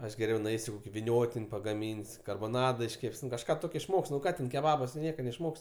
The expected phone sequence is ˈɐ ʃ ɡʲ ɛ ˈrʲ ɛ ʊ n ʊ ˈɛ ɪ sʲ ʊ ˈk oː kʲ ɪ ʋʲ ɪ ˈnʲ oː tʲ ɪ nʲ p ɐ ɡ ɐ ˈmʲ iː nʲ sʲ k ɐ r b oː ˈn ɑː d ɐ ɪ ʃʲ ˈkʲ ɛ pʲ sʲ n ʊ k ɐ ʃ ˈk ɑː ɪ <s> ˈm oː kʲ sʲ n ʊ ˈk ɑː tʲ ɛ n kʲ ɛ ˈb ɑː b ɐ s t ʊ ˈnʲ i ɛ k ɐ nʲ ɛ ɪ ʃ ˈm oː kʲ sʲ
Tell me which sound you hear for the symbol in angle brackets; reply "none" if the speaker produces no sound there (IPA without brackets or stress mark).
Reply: ʃ